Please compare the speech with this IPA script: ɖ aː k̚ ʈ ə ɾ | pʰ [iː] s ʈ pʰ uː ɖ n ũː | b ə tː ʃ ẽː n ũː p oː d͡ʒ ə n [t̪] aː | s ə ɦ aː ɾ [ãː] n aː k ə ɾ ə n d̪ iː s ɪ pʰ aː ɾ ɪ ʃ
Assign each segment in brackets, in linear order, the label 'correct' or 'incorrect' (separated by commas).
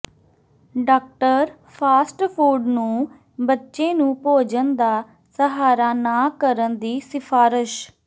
incorrect, incorrect, incorrect